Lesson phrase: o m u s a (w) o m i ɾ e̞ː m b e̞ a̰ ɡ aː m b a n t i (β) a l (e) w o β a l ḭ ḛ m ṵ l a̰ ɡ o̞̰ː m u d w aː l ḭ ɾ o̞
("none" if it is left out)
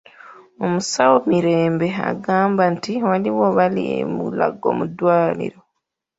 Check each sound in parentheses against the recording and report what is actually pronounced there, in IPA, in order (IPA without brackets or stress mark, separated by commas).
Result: w, w, i